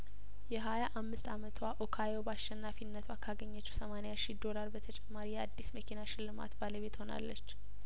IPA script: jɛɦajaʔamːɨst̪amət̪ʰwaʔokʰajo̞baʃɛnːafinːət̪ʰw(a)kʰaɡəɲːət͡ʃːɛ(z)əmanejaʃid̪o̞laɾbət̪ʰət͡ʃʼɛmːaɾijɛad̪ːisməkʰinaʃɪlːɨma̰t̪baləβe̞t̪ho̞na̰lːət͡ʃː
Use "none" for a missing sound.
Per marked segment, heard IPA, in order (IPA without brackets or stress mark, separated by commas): a, s